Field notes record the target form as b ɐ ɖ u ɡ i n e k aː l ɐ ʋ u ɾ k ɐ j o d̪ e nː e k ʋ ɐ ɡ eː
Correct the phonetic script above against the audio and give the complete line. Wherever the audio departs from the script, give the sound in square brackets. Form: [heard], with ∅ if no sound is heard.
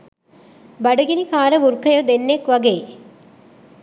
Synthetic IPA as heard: b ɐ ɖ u ɡ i n [i] k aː [ɾ] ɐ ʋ u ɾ k ɐ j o d̪ e nː e k ʋ ɐ ɡ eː